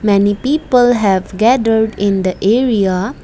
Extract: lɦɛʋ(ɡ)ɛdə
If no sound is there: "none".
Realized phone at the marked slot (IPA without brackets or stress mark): ɡ